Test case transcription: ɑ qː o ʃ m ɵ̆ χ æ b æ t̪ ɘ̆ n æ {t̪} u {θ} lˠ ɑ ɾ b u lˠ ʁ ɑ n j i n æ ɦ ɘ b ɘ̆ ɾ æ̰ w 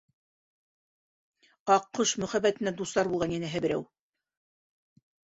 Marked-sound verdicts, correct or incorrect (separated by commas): incorrect, incorrect